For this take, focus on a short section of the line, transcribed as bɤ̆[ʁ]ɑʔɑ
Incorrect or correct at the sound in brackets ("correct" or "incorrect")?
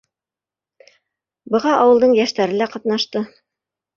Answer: correct